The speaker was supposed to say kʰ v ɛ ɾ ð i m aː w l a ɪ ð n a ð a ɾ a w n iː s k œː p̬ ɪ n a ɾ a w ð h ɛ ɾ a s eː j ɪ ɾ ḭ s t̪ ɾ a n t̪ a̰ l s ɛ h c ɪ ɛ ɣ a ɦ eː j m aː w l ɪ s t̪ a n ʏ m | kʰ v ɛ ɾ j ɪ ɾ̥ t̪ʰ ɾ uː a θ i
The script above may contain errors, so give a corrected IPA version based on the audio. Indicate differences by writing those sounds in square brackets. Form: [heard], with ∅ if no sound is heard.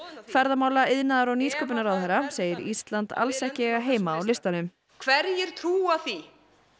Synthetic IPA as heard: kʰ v ɛ ɾ ð [a] m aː w l a ɪ ð n a ð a ɾ a w n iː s k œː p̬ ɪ n a ɾ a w ð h ɛ ɾ a s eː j ɪ ɾ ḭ s t̪ [l] a n t̪ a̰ l s ɛ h c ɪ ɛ ɣ a ɦ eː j m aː w l ɪ s t̪ a n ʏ m | kʰ v ɛ ɾ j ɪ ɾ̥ t̪ʰ ɾ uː a θ i